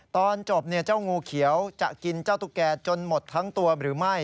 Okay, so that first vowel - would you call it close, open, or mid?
mid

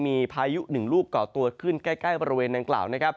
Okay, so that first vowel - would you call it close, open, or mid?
close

